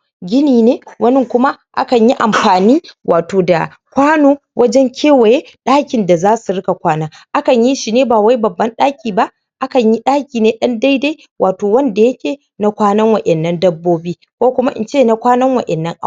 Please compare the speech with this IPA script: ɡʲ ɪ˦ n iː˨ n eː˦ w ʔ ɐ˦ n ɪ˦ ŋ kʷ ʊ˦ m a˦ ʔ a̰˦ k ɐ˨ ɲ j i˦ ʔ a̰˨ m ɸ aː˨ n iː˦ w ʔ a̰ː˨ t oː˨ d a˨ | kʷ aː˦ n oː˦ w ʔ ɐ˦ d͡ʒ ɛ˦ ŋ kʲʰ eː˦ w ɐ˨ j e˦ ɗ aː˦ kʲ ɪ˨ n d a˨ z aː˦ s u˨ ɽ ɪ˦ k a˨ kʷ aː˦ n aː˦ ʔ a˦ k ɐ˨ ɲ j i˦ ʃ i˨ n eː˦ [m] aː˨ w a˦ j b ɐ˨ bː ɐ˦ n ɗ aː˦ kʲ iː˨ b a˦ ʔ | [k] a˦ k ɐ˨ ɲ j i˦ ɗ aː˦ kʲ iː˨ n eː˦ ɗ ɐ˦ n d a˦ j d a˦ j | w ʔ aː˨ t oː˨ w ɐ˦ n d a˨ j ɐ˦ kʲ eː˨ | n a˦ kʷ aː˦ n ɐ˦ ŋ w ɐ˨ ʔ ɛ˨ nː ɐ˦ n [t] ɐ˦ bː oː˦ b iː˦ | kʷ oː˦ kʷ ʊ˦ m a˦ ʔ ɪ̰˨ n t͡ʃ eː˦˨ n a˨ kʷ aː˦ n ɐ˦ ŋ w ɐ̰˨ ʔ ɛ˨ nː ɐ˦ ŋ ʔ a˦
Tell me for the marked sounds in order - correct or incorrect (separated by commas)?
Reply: incorrect, incorrect, incorrect